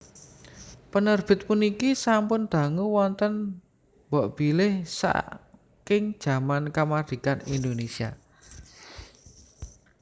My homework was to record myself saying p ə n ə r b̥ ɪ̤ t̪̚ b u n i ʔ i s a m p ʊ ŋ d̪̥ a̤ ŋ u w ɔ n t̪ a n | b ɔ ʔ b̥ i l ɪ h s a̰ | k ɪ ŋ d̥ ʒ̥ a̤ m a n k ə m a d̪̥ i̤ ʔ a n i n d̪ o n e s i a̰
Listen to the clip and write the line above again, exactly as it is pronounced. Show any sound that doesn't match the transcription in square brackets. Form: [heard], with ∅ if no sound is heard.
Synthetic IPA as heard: p ə n ə r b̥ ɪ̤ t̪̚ [p] u n i [k] i s a m p ʊ [n] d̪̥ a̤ ŋ u w ɔ n t̪ [ə] n | b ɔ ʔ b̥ i l ɪ h s a̰ | k ɪ ŋ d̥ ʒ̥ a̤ m a n k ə m a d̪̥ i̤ [k] a n i n d̪ o n e s i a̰